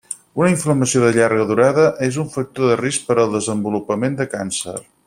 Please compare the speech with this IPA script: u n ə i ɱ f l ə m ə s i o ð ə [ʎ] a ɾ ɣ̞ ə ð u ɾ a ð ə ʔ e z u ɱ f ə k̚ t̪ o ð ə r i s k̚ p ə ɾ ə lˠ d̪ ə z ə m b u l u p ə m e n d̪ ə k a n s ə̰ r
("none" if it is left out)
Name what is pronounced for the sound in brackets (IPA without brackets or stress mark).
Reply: ʎ